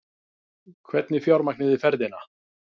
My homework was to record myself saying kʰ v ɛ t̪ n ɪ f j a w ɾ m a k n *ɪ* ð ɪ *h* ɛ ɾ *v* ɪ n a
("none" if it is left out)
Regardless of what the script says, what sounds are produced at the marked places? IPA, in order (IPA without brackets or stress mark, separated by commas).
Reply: ɪ, f, ð